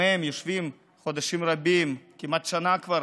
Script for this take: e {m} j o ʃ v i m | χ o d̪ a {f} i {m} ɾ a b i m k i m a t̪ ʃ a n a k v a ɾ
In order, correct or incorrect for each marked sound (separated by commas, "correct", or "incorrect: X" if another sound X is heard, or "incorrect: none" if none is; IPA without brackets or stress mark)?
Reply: correct, incorrect: ʃ, correct